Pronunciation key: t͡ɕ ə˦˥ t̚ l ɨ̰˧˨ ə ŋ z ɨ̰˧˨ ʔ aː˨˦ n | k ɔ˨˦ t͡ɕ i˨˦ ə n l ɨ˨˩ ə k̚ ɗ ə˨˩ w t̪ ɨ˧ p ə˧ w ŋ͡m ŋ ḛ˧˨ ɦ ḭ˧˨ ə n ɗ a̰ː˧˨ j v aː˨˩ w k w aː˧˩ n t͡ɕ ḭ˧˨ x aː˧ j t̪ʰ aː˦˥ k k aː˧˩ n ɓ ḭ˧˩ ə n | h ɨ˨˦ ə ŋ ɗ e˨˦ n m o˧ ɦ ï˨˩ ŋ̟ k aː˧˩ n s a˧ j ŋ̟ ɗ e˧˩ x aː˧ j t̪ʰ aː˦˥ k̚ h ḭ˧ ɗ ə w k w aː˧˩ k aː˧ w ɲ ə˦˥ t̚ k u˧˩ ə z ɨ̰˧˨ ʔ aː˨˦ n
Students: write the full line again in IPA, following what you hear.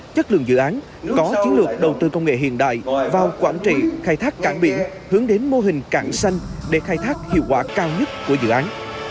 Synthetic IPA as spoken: t͡ɕ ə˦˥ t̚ l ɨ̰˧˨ ə ŋ z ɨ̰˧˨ ʔ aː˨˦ n | k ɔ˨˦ t͡ɕ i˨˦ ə n l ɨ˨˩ ə k̚ ɗ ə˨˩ w t̪ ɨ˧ k ə˧ w ŋ͡m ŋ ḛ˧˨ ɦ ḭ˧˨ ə n ɗ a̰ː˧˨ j v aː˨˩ w k w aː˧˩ n t͡ɕ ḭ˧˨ x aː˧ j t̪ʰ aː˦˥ k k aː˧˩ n ɓ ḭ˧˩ ə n | h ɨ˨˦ ə ŋ ɗ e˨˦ n m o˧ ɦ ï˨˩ ŋ̟ k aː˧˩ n s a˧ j ŋ̟ ɗ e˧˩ x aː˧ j t̪ʰ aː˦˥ k̚ h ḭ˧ ə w k w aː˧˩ k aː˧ w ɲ ə˦˥ t̚ k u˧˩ ə z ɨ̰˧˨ ʔ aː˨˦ n